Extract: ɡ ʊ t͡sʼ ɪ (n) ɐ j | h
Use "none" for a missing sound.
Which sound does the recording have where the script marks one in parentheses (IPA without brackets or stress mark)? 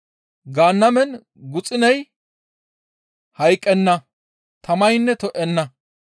n